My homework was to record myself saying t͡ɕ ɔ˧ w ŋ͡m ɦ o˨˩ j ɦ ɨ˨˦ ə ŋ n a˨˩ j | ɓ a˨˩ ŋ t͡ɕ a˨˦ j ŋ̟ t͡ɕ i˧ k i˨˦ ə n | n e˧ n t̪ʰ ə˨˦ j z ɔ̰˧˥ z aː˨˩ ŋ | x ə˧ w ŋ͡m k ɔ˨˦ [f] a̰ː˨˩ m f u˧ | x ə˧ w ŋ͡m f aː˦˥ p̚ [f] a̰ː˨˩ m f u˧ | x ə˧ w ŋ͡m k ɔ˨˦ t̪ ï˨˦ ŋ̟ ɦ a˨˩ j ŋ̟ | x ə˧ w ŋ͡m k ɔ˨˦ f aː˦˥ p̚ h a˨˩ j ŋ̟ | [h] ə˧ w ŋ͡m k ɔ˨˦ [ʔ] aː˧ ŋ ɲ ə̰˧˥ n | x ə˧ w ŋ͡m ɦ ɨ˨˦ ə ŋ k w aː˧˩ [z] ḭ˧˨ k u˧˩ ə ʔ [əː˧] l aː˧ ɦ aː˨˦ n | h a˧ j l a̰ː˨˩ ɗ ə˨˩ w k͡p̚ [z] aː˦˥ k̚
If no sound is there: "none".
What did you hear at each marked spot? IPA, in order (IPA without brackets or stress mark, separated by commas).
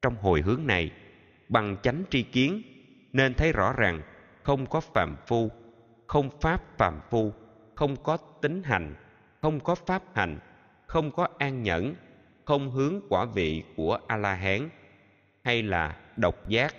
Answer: f, f, x, ʔ, v, aː˧, z